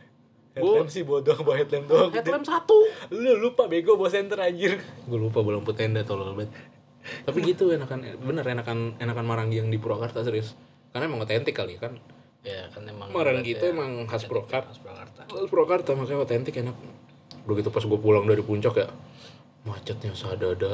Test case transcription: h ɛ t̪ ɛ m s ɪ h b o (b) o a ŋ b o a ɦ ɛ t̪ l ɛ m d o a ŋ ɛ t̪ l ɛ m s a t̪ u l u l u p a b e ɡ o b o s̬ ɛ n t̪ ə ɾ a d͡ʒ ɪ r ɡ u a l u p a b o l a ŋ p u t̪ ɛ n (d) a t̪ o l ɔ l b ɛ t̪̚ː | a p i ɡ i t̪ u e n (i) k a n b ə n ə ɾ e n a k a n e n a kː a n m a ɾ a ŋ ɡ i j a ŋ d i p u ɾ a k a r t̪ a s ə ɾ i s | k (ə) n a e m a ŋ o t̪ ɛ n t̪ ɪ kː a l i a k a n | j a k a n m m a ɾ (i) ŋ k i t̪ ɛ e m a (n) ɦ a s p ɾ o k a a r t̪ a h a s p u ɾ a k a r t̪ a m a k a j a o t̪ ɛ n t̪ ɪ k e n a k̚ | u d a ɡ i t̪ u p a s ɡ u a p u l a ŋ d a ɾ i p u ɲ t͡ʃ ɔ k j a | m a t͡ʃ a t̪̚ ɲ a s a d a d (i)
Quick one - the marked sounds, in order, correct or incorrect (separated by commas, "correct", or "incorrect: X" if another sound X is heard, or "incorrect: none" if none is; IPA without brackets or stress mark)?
incorrect: d, correct, incorrect: a, incorrect: a, incorrect: a, incorrect: ŋ, incorrect: a